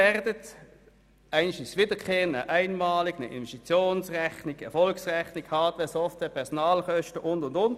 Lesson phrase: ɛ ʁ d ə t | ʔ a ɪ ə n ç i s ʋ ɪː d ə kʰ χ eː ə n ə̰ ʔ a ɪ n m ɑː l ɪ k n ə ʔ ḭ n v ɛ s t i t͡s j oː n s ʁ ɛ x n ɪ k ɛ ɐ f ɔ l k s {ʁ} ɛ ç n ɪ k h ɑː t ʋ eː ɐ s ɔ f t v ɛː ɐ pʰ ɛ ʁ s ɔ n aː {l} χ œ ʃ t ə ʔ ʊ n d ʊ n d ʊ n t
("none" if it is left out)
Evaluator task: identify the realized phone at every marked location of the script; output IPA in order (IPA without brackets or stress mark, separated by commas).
ʁ, l